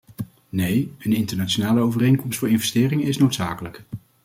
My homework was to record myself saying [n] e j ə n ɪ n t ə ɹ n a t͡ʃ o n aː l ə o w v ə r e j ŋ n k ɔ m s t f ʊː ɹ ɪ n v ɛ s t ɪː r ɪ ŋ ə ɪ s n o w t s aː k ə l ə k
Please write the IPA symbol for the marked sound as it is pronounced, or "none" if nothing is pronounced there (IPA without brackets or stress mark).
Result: n